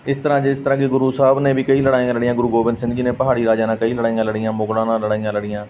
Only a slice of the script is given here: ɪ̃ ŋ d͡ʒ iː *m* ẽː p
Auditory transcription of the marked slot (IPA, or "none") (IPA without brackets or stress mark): n